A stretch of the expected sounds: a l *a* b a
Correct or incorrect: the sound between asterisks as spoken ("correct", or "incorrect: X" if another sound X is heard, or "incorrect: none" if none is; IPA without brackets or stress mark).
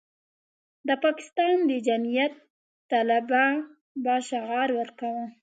correct